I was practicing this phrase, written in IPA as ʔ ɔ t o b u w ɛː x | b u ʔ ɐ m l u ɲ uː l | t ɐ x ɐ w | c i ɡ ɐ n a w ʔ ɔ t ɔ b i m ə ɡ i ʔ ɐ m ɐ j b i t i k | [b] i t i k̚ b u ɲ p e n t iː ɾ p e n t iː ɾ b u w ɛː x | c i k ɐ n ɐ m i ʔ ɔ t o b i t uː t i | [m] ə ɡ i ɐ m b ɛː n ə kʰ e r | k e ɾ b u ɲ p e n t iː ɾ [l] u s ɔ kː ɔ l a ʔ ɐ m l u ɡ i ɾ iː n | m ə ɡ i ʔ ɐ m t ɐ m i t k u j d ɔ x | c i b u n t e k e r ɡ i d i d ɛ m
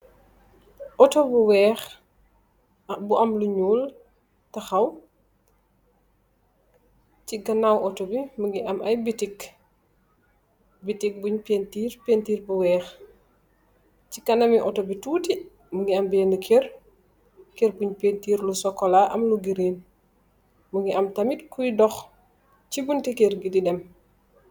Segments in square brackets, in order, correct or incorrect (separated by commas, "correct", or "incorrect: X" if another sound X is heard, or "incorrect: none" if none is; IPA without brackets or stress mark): correct, correct, correct